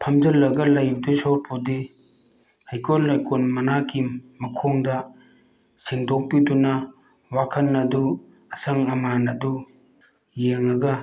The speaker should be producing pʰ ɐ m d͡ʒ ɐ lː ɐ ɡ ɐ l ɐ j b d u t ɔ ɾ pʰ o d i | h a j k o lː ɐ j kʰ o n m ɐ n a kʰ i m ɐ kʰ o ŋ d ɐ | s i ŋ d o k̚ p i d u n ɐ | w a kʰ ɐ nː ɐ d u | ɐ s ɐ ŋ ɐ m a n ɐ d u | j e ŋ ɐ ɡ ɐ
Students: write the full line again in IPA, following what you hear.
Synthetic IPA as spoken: pʰ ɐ m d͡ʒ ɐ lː ɐ ɡ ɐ l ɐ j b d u s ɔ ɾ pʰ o d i | h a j k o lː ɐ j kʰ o n m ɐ n a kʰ i m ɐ kʰ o ŋ d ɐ | s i ŋ d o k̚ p i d u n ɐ | w a kʰ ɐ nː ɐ d u | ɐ s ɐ ŋ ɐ m a n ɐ d u | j e ŋ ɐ ɡ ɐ